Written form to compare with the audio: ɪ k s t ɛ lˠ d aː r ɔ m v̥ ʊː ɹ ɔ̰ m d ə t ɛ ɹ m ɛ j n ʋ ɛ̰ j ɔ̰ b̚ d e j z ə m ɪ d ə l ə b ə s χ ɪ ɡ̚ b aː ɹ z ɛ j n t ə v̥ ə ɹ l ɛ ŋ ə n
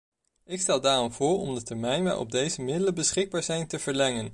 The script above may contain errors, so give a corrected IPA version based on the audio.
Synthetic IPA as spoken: ɪ k s t ɛ lˠ d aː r ɔ m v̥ ʊː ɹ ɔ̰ m d ə t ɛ ɹ m ɛ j n ʋ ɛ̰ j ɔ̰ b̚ d e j z ə m ɪ d ə l ə b ə s χ ɪ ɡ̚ b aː ɹ z ɛ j n t ə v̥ ə ɹ l ɛ ŋ ə n